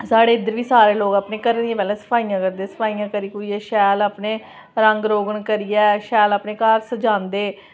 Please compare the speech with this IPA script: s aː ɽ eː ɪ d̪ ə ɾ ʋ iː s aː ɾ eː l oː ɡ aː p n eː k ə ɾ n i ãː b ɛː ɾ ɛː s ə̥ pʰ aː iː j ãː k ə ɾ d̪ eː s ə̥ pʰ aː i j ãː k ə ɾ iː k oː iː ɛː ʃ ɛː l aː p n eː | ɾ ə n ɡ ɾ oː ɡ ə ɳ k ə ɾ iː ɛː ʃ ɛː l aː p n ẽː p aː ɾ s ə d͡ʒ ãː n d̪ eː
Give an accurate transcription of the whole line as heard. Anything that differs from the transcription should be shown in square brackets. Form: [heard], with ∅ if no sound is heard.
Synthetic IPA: s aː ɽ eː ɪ d̪ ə ɾ ʋ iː s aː ɾ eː l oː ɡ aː p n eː k ə ɾ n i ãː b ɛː [l] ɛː s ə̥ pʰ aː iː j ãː k ə ɾ d̪ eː s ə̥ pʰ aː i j ãː k ə ɾ iː k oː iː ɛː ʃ ɛː l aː p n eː | ɾ ə [ŋ] ɡ ɾ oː ɡ ə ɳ k ə ɾ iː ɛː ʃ ɛː l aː p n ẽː [k] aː ɾ s ə d͡ʒ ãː n d̪ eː